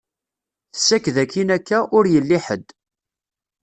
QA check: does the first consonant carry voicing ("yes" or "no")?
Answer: no